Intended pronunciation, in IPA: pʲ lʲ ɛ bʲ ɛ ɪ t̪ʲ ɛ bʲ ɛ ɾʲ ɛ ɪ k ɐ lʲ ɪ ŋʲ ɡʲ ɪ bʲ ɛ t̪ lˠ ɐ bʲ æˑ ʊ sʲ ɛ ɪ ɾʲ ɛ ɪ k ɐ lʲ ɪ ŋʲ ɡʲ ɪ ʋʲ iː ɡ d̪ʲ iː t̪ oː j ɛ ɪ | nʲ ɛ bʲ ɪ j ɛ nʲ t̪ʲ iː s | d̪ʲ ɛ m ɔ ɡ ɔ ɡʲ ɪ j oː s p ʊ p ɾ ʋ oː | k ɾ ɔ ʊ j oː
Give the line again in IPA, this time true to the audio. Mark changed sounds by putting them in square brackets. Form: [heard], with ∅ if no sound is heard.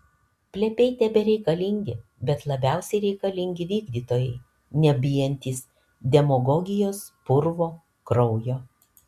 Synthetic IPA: pʲ lʲ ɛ [pʲ] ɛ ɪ t̪ʲ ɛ bʲ ɛ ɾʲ ɛ ɪ k ɐ lʲ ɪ ŋʲ ɡʲ ɪ bʲ ɛ t̪ lˠ ɐ bʲ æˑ ʊ sʲ ɛ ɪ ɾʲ ɛ ɪ k ɐ lʲ ɪ ŋʲ ɡʲ ɪ ʋʲ iː ɡ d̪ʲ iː t̪ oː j ɛ ɪ | nʲ ɛ bʲ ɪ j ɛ nʲ t̪ʲ iː s | d̪ʲ ɛ m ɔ ɡ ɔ ɡʲ ɪ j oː s p ʊ [∅] ɾ ʋ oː | k ɾ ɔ ʊ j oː